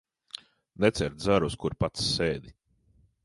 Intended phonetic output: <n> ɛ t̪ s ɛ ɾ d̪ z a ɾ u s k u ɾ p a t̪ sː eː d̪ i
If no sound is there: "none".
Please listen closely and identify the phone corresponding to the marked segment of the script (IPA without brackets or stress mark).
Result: n